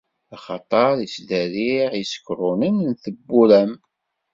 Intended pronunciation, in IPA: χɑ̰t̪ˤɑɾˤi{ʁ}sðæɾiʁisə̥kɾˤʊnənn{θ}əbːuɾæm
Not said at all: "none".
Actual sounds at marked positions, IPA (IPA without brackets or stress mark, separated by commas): none, θ